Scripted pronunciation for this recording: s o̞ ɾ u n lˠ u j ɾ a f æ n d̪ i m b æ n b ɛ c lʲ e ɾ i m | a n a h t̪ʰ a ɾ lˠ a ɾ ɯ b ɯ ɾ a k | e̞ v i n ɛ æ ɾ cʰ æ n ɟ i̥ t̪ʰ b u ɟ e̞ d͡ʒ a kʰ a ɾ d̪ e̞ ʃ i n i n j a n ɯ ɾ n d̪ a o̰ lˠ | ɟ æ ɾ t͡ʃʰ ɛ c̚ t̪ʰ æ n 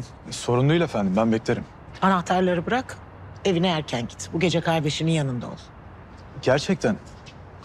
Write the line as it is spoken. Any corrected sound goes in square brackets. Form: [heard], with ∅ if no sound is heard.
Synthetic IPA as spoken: s o̞ ɾ u n lˠ u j [l] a f æ n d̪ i m b æ n b ɛ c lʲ e ɾ i m | a n a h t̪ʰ a ɾ lˠ a ɾ ɯ b ɯ ɾ a k | e̞ v i n ɛ æ ɾ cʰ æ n ɟ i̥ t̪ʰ b u ɟ e̞ d͡ʒ [ɛ] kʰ a ɾ d̪ e̞ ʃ i n i n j a n ɯ [∅] n d̪ a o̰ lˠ | ɟ æ ɾ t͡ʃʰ ɛ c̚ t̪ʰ æ n